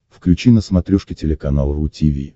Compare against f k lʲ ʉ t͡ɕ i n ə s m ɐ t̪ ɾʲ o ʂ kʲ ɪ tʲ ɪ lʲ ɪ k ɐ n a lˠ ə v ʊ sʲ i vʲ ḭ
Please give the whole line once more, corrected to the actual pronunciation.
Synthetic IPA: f k lʲ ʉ t͡ɕ i n ə s m ɐ t̪ ɾʲ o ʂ kʲ ɪ tʲ ɪ lʲ ɪ k ɐ n a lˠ ə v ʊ tʲ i vʲ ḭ